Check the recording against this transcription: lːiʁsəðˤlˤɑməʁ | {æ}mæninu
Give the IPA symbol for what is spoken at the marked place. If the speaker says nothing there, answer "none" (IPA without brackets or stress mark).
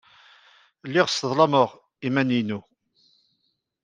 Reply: i